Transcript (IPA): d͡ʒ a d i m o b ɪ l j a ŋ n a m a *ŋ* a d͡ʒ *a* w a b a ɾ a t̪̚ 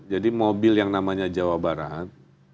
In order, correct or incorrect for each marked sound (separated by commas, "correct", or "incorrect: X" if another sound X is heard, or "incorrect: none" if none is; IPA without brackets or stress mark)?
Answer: incorrect: ɲ, correct